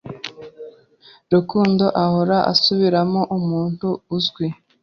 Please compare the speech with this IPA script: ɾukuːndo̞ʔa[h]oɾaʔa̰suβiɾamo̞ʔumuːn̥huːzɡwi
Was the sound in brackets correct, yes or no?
yes